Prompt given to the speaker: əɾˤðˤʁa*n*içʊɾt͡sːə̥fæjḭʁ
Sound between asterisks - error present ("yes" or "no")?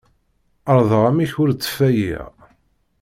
yes